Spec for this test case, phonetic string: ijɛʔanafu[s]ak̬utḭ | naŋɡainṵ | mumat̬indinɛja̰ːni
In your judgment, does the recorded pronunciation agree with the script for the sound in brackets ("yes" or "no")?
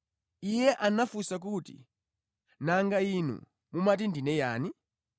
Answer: yes